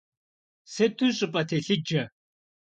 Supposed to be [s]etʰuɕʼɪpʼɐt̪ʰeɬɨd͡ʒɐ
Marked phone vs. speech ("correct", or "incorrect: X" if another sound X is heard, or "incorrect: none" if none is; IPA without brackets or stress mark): correct